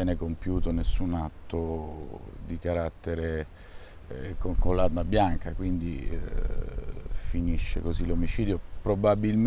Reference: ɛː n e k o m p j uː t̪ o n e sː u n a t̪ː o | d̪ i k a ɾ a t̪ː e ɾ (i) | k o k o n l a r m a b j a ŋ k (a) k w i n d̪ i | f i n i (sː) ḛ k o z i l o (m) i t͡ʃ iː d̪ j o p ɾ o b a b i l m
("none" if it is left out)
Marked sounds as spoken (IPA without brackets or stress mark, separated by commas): e, a, ʃː, m